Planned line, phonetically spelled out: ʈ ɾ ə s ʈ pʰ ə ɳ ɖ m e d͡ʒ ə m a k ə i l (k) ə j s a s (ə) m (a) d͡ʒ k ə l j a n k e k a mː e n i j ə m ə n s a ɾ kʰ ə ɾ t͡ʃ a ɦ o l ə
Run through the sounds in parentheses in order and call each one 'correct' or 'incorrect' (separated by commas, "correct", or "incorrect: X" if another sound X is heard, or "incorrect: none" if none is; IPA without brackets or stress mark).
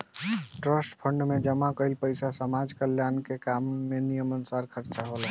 incorrect: p, correct, correct